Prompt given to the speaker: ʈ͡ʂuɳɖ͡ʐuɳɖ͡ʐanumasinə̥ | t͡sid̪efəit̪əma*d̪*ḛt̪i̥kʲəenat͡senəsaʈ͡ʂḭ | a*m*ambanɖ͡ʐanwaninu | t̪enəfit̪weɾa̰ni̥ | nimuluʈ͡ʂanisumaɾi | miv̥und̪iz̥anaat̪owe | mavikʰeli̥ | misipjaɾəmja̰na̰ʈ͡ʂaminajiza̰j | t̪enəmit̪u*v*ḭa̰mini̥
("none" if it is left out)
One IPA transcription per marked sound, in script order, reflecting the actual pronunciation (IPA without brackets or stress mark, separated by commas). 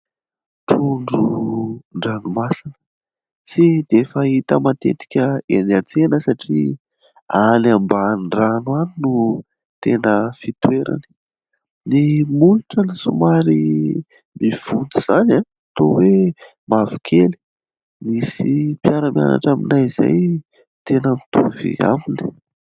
t̪, n, v